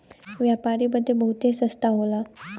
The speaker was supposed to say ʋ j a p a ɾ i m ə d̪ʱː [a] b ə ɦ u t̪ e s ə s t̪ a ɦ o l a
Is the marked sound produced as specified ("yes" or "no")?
no